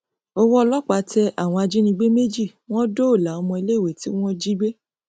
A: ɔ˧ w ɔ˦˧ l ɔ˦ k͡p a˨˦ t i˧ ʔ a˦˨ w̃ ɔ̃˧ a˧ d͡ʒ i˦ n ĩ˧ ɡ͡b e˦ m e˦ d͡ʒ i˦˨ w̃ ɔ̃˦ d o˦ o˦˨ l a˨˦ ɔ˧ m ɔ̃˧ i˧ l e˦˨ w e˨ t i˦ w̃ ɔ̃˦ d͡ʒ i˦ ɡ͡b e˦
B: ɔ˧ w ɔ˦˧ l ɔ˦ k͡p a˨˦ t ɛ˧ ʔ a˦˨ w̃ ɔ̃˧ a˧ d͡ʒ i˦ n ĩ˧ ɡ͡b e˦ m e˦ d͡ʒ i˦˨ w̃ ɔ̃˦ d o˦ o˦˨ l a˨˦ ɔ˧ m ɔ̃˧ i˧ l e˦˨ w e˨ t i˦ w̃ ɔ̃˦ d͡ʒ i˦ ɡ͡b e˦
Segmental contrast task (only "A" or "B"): B